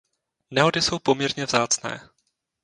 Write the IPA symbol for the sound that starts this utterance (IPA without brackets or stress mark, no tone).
n